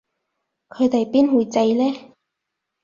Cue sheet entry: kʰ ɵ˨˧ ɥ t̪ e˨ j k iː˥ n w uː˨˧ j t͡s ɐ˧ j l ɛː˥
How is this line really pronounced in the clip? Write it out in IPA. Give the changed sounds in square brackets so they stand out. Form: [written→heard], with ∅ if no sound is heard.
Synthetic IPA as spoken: kʰ ɵ˨˧ ɥ t̪ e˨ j [k→p] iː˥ n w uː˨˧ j t͡s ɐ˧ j l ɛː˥